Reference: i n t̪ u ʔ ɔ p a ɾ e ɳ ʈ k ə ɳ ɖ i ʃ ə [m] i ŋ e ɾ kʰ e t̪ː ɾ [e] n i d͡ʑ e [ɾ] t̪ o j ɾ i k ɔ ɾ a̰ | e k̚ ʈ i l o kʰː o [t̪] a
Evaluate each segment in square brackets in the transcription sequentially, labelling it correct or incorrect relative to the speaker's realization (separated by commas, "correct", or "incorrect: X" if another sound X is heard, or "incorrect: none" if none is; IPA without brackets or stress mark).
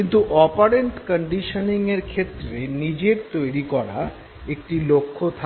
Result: incorrect: n, correct, correct, incorrect: t̪ʰ